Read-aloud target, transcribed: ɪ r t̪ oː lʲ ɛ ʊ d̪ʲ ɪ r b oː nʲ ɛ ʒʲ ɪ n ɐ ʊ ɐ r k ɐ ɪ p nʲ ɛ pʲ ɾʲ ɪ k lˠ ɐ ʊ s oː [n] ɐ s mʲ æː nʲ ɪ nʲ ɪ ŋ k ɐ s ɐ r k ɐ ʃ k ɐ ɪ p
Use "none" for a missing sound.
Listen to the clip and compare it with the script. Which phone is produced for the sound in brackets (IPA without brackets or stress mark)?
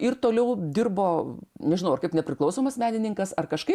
m